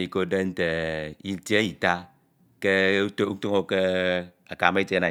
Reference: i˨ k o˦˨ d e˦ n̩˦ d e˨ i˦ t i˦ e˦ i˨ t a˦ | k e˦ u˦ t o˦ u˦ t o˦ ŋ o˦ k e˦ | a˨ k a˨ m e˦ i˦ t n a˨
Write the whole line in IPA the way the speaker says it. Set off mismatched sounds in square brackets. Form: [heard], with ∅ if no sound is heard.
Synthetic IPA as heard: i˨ k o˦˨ d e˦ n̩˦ [t] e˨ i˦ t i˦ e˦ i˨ t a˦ | k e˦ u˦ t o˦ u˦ t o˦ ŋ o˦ k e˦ | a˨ k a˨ m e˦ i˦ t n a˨

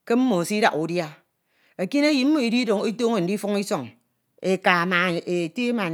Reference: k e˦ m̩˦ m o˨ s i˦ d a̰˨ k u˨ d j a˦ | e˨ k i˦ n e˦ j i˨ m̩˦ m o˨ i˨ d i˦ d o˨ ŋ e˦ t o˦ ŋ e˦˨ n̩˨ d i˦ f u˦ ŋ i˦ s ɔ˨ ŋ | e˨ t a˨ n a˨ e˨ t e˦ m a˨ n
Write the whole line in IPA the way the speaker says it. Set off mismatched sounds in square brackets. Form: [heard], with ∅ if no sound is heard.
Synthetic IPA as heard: k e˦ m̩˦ m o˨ s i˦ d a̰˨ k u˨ d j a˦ | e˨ k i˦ n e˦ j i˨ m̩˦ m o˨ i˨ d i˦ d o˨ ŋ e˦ t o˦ ŋ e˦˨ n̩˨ d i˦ f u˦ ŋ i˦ s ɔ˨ ŋ | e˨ [k] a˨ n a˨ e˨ t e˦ m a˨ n

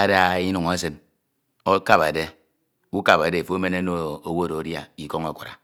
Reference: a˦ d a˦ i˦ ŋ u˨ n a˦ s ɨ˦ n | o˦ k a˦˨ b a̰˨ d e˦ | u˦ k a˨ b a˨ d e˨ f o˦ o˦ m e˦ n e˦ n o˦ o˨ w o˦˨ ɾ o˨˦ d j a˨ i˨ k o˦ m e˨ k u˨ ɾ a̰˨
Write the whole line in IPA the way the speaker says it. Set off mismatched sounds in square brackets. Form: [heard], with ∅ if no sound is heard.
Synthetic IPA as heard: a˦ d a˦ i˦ [n] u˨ [ŋ] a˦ s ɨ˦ n | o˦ k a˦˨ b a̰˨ d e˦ | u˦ k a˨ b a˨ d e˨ f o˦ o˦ m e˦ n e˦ n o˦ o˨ w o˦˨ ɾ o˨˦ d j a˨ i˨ k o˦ [ŋ] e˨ k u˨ ɾ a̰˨

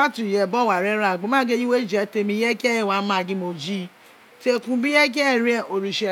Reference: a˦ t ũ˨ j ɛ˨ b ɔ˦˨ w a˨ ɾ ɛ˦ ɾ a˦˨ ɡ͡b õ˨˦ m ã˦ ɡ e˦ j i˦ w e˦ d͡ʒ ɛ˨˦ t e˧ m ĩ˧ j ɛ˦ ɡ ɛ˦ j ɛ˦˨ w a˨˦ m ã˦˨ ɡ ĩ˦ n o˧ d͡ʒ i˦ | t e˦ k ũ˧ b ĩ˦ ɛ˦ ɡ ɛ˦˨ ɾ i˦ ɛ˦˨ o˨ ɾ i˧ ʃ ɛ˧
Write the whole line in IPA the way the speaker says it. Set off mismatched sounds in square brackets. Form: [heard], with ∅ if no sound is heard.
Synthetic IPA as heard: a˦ t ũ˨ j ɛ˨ b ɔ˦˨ w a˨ ɾ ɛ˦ ɾ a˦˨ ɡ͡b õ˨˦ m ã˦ ɡ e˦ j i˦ w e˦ d͡ʒ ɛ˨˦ t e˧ m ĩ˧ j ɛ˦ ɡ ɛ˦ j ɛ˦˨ w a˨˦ m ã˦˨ ɡ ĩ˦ [m] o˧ d͡ʒ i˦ | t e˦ k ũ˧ b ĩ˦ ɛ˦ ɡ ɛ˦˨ ɾ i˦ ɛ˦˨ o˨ ɾ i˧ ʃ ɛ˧

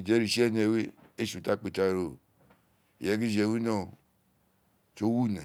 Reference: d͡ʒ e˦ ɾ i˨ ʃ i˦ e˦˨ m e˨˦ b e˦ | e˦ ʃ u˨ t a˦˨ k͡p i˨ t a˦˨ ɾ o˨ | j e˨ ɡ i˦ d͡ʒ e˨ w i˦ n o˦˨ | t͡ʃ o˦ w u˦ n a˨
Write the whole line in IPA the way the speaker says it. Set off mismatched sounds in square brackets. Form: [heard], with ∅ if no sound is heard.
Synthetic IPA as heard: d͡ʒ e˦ ɾ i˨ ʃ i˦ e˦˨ [n] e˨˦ [w] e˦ | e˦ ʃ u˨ t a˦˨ k͡p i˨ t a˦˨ ɾ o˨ | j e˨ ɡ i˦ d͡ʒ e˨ w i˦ n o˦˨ | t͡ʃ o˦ w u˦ n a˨

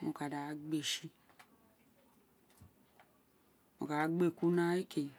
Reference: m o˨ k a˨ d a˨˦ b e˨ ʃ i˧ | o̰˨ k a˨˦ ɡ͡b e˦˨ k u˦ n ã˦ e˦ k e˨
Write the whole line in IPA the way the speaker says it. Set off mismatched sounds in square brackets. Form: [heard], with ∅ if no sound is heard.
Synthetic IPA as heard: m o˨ k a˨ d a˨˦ [ɡ͡b] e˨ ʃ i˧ | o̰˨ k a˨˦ ɡ͡b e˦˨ k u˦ n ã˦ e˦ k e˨

